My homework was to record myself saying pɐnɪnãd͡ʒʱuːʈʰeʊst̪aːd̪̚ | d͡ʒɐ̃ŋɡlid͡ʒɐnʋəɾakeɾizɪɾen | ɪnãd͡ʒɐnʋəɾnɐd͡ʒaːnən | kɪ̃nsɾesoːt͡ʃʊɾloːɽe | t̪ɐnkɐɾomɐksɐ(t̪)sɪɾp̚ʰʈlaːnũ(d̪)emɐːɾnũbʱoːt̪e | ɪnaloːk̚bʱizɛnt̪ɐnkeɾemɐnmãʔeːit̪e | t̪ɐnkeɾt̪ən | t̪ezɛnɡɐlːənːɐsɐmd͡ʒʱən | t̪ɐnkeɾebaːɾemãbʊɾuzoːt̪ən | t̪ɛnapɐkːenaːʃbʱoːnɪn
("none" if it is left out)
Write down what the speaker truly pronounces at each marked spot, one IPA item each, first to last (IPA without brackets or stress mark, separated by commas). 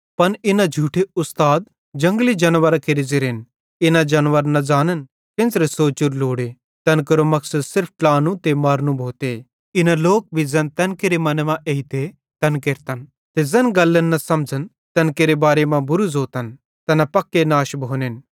d̪, t̪